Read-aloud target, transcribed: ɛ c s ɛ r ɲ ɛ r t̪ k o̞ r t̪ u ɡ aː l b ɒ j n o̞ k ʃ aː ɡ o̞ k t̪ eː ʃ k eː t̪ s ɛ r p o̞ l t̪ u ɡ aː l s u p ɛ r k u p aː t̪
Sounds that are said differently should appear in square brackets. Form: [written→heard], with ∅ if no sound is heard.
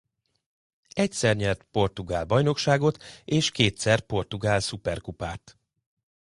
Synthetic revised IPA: ɛ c s ɛ r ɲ ɛ r t̪ [k→p] o̞ r t̪ u ɡ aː l b ɒ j n o̞ k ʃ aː ɡ o̞ [k→∅] t̪ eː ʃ k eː t̪ s ɛ r p o̞ [l→r] t̪ u ɡ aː l s u p ɛ r k u p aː t̪